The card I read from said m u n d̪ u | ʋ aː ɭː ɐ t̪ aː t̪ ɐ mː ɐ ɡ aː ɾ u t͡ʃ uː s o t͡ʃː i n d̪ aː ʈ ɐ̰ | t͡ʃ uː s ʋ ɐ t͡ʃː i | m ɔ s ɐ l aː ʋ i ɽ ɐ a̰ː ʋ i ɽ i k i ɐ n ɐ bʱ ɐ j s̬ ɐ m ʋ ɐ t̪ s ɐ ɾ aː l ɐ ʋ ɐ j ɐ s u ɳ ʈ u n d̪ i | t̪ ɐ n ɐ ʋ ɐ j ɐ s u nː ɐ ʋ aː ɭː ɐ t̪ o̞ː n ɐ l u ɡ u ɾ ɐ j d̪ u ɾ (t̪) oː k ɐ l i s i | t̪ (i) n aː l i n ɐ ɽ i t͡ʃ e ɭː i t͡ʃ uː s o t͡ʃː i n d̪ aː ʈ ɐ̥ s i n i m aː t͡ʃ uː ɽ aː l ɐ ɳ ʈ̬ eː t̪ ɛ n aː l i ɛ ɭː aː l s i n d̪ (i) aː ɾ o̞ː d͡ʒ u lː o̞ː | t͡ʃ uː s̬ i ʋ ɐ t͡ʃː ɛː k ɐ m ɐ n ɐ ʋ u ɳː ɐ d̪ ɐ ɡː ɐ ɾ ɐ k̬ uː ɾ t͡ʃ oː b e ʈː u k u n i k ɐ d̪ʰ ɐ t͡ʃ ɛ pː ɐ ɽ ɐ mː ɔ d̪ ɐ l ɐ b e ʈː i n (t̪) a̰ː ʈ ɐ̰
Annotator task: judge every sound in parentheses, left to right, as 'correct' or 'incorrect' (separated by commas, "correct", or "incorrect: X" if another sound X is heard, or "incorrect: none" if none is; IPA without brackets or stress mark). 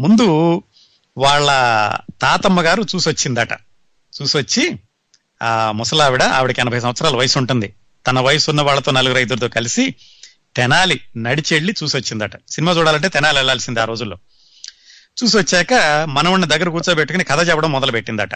correct, incorrect: ɛ, correct, incorrect: d̪